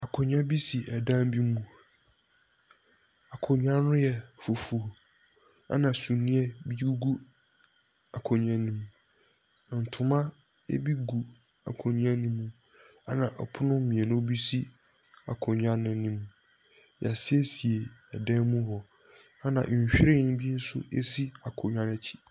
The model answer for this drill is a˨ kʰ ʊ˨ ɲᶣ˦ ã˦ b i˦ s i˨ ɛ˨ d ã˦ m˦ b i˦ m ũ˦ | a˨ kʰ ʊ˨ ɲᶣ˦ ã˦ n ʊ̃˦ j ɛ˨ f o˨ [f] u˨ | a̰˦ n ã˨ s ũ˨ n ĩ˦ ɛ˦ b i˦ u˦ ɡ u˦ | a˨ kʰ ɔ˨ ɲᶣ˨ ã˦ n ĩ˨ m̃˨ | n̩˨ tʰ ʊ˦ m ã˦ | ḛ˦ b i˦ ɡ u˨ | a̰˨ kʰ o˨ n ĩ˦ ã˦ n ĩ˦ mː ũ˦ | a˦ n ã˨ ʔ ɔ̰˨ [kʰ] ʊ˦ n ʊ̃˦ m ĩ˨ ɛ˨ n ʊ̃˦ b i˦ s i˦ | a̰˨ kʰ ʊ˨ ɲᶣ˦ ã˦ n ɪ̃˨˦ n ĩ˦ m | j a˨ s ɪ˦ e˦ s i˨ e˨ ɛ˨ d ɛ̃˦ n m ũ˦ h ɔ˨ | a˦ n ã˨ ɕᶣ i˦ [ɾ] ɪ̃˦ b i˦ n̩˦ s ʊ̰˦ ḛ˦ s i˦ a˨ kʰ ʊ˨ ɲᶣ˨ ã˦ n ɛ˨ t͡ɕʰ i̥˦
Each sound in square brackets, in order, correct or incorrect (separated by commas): correct, incorrect, correct